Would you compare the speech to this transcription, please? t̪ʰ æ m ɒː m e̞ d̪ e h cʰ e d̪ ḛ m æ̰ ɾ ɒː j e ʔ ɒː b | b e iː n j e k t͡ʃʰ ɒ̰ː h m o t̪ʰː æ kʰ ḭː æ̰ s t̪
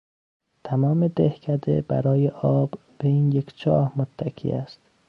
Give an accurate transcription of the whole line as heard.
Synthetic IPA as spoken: t̪ʰ æ m ɒː m e̞ d̪ e h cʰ æ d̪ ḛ b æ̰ ɾ ɒː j e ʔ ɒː b | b e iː n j e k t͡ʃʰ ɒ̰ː h m o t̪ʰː æ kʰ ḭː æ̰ s t̪